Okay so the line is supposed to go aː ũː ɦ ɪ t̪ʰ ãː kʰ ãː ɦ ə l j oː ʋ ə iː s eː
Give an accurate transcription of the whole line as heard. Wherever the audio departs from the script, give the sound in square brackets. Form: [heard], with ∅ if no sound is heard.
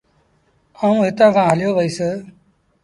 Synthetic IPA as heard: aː ũː ɦ ɪ [t̪] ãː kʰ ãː ɦ ə l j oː ʋ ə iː s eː